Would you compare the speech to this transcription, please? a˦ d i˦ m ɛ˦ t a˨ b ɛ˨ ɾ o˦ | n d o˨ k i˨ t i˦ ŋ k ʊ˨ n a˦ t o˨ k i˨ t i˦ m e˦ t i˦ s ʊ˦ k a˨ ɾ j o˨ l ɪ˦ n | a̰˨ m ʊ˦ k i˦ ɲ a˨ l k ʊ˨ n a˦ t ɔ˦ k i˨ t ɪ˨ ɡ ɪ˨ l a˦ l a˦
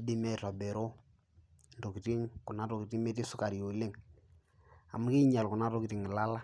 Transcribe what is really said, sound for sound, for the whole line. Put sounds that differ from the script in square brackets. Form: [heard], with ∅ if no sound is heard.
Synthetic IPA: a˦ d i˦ m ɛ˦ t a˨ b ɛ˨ ɾ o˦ | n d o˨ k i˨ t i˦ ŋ k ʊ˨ n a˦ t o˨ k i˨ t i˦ m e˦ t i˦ s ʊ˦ k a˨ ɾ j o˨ l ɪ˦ [ŋ] | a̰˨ m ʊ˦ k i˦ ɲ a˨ l k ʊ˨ n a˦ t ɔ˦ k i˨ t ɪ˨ [ŋ] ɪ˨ l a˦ l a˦